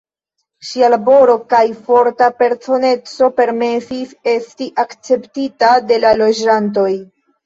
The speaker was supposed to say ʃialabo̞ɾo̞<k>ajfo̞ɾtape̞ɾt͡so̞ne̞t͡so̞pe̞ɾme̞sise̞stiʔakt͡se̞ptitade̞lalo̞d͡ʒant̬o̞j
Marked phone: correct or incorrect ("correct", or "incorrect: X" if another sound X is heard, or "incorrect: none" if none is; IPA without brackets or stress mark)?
correct